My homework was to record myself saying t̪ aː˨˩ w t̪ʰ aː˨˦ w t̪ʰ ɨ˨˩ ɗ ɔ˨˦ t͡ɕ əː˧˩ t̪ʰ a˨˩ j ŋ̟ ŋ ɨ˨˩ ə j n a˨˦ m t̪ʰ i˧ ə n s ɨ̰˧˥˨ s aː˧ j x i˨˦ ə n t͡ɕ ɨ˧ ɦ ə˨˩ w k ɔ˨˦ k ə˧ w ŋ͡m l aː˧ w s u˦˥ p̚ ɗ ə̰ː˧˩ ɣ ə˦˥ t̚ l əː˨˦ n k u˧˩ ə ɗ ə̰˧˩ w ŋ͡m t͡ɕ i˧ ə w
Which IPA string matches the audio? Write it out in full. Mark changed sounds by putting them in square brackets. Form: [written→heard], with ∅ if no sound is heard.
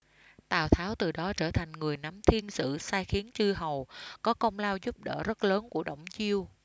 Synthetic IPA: t̪ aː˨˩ w t̪ʰ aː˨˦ w [t̪ʰ→t̪] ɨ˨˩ ɗ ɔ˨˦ t͡ɕ əː˧˩ t̪ʰ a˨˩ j ŋ̟ ŋ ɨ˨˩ ə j n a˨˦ m t̪ʰ i˧ ə n s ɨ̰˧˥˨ s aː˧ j x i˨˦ ə n t͡ɕ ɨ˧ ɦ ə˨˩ w k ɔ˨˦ k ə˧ w ŋ͡m l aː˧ w [s→z] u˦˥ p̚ ɗ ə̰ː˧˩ [ɣ→z] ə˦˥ t̚ l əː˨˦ n k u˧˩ ə ɗ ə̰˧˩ w ŋ͡m t͡ɕ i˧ ə w